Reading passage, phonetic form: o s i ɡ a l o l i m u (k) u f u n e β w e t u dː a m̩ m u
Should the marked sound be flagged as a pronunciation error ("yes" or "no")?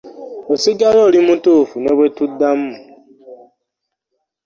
yes